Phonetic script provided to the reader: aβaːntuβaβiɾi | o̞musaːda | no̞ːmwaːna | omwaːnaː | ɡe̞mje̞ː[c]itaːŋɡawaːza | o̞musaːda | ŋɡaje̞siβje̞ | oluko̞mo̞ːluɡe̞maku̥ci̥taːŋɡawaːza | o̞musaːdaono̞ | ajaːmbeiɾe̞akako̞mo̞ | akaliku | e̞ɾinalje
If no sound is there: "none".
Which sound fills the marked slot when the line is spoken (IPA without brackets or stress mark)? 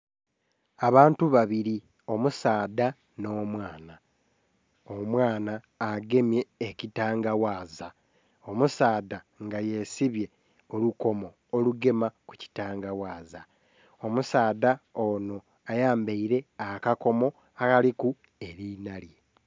c